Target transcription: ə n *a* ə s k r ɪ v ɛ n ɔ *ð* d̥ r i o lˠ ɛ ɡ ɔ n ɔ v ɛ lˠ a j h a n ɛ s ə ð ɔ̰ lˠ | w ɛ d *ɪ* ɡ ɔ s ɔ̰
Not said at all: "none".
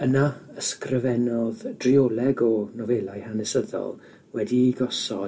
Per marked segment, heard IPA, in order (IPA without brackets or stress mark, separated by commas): a, ð, i